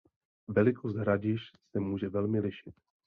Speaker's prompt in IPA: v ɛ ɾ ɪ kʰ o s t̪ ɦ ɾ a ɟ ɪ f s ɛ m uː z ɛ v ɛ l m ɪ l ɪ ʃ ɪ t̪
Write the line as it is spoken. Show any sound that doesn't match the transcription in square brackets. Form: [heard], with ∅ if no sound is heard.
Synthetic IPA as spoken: v ɛ [l] ɪ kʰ o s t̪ ɦ ɾ a ɟ ɪ [ʃ] s ɛ m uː [ʒ] ɛ v ɛ l m ɪ l ɪ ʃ ɪ t̪

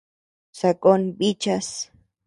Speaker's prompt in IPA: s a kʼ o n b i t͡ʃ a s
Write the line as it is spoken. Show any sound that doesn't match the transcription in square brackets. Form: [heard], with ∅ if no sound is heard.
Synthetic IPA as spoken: s a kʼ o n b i t͡ʃ a s

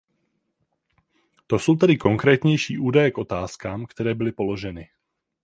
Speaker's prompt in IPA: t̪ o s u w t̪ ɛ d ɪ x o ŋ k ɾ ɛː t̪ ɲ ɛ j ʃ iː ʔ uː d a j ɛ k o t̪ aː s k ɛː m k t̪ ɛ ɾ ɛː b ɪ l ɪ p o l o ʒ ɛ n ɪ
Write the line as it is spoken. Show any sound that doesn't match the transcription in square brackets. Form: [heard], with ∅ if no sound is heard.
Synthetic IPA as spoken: t̪ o s u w t̪ ɛ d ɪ [k] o ŋ k ɾ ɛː t̪ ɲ ɛ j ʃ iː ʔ uː d a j ɛ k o t̪ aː s k [aː] m k t̪ ɛ ɾ ɛː b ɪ l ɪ p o l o ʒ ɛ n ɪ

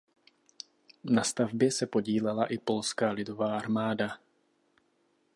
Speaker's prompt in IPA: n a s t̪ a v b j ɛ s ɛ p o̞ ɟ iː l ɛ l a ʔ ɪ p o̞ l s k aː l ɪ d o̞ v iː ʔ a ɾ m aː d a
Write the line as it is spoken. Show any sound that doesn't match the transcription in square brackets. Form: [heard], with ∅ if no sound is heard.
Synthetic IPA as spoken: n a s t̪ a v b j ɛ s ɛ p o̞ ɟ iː l ɛ l a ʔ ɪ p o̞ l s k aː l ɪ d o̞ v [aː] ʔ a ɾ m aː d a

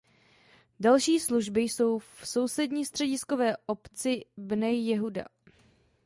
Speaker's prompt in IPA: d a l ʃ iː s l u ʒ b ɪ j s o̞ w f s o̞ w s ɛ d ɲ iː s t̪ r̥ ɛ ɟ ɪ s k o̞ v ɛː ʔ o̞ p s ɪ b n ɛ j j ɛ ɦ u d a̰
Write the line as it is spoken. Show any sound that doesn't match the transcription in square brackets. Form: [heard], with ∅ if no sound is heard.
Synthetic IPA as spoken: d a l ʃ iː s l u ʒ b ɪ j s o̞ w f s o̞ w s ɛ d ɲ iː s t̪ r̥ ɛ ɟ ɪ s k o̞ v ɛː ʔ o̞ p [t͡s] ɪ b n ɛ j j ɛ ɦ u d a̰

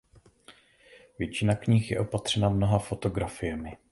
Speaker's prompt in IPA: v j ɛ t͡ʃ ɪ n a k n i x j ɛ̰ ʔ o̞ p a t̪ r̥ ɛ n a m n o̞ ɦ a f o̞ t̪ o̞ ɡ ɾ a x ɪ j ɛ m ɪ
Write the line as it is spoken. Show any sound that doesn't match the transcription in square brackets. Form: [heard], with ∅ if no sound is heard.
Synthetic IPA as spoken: v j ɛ t͡ʃ ɪ n a k [ɲ] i x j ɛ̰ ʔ o̞ p a t̪ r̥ ɛ n a m n o̞ ɦ a f o̞ t̪ o̞ ɡ ɾ a [f] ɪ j ɛ m ɪ

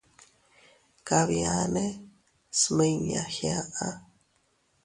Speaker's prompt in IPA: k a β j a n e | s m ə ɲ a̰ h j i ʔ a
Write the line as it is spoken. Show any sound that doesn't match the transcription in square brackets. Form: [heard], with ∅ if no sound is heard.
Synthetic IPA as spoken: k a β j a n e | s m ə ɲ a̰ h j [a] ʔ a

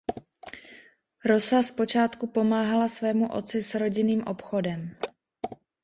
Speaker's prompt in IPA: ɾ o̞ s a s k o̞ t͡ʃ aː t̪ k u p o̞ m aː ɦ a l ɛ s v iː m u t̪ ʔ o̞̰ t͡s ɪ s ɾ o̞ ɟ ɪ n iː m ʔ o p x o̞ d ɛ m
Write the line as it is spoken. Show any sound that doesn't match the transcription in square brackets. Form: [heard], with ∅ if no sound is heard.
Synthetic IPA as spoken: ɾ o̞ s a s [p] o̞ t͡ʃ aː t̪ k u p o̞ m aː ɦ a l [a] s v [ɛː] m u [∅] ʔ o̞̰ t͡s ɪ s ɾ o̞ ɟ ɪ n iː m ʔ o p x o̞ d ɛ m

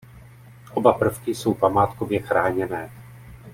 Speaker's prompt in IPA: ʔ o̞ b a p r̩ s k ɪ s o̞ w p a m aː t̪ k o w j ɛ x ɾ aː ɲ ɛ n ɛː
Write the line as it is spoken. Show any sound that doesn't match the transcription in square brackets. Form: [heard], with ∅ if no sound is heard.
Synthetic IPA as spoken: ʔ o̞ b a p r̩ [f] k ɪ s o̞ w p a m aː t̪ k o [v] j ɛ x ɾ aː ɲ ɛ n ɛː

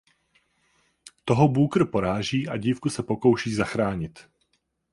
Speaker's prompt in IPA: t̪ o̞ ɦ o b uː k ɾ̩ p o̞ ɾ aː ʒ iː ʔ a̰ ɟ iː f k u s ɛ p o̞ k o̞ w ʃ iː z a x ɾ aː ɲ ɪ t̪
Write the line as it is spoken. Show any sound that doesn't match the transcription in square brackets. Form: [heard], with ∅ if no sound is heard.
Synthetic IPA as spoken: t̪ o̞ ɦ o b uː k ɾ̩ p o̞ ɾ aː ʒ iː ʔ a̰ ɟ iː f k u s ɛ p o̞ k o̞ w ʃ iː z a x ɾ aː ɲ ɪ t̪

